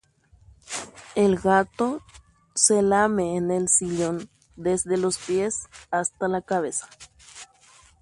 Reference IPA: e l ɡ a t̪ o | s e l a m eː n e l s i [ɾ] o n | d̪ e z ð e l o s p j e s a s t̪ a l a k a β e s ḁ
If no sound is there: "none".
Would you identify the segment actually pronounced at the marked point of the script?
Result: ʎ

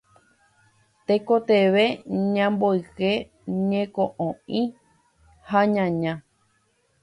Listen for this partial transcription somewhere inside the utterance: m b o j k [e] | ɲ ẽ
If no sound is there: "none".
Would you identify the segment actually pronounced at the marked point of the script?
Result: e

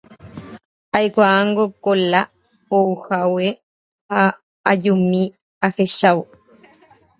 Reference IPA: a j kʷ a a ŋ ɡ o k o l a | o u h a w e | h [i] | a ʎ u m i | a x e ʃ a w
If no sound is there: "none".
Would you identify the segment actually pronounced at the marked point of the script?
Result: a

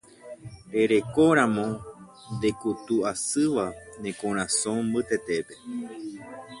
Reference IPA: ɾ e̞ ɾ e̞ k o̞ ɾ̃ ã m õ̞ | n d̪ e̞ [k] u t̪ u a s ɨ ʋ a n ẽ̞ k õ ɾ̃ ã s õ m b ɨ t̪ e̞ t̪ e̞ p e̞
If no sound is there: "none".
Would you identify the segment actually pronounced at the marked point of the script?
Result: k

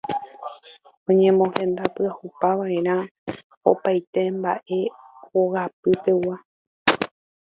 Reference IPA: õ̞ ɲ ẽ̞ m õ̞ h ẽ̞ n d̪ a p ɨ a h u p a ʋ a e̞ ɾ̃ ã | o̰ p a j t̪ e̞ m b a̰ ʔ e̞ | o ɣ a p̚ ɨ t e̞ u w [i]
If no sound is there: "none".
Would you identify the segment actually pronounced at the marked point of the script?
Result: a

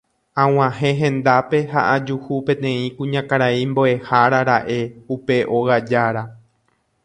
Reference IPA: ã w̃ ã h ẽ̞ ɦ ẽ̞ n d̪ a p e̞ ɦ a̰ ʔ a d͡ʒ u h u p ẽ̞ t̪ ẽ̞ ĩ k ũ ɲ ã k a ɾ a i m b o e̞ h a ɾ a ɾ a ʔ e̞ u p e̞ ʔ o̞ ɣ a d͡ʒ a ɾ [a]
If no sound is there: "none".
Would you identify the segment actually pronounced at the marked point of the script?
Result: a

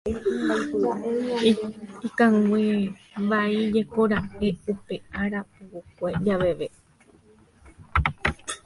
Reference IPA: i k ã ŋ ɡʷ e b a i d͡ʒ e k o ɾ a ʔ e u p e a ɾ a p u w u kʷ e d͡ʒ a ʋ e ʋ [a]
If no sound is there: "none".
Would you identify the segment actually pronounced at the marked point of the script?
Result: e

